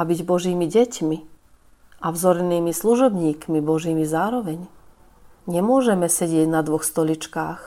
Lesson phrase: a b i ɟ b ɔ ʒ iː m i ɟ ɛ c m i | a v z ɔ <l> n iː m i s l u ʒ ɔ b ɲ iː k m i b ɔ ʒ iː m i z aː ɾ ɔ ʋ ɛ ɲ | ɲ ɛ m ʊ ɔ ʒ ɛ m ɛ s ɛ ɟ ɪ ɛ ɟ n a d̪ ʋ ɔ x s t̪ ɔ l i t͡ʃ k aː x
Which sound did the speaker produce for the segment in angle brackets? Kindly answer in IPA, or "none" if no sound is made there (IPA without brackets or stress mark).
ɾ